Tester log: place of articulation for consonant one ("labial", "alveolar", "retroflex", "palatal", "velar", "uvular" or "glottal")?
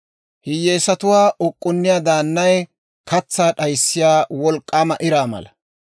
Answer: glottal